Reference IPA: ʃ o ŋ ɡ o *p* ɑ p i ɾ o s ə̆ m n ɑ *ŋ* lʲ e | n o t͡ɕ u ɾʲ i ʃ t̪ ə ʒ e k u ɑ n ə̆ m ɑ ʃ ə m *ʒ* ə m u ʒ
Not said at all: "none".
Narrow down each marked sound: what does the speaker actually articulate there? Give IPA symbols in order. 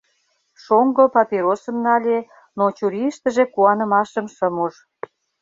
p, none, ʃ

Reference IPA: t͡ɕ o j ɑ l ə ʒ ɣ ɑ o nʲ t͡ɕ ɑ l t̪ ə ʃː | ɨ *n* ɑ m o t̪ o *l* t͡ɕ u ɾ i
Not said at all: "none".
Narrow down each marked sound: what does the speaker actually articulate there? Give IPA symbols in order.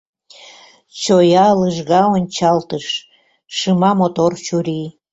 m, r

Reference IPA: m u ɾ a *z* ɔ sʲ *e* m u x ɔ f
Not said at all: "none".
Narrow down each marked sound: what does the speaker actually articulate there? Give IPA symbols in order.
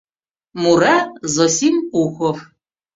z, i

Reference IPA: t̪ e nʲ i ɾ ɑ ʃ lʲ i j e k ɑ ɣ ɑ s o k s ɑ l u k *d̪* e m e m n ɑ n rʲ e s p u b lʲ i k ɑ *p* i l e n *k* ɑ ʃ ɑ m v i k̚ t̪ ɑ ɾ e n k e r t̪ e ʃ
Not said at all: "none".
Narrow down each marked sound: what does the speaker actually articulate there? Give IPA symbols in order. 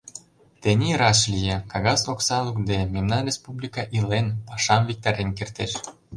d̪, ʔ, p

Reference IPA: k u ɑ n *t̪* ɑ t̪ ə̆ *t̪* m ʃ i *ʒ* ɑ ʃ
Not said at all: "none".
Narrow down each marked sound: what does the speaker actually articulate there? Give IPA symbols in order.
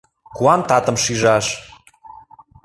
t̪, none, ʒ

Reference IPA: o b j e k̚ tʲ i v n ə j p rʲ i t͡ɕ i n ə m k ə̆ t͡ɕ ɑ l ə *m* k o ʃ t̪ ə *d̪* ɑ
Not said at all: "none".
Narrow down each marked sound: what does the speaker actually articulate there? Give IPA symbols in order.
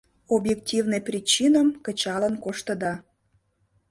n, d̪

